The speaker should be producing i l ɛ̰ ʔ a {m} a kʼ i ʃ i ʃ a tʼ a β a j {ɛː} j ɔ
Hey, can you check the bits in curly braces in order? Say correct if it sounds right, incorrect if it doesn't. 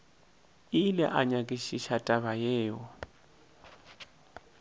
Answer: incorrect: ɲ, correct

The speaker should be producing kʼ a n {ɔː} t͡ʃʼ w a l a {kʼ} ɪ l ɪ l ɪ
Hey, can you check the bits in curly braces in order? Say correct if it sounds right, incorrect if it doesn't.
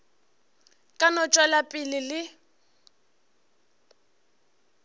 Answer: incorrect: ɔ, incorrect: pʼ

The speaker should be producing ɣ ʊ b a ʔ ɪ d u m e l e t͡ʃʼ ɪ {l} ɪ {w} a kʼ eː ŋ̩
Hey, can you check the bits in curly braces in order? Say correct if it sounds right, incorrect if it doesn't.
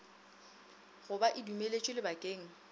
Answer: correct, incorrect: b

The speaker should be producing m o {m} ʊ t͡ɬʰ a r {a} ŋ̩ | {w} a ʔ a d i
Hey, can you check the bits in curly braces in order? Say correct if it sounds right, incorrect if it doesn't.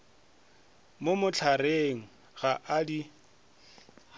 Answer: correct, incorrect: e, incorrect: ɣ

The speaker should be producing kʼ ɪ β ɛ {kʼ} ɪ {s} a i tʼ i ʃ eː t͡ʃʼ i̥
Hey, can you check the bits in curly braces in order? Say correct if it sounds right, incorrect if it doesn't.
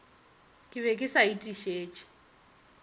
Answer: correct, correct

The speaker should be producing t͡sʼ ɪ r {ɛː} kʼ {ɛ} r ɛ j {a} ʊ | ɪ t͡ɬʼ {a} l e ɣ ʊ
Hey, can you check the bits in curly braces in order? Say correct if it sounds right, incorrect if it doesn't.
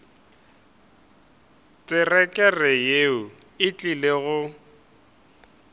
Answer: incorrect: ɛ, correct, incorrect: e, incorrect: i

